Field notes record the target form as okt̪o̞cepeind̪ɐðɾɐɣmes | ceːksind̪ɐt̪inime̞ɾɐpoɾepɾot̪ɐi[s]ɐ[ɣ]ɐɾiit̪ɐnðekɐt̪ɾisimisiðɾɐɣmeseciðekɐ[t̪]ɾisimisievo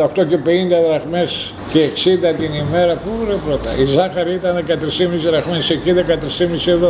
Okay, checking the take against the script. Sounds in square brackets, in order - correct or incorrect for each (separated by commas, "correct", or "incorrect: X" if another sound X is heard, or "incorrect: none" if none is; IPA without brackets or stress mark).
incorrect: z, incorrect: x, correct